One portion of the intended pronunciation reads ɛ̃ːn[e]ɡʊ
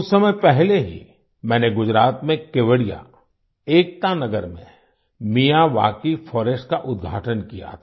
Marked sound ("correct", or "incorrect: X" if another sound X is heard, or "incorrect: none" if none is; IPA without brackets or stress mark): correct